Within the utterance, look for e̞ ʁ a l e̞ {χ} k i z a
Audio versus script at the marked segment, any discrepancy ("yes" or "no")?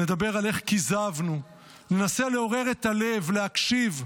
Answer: no